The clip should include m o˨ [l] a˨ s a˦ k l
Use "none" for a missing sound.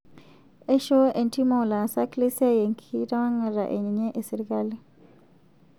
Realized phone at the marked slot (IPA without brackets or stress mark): l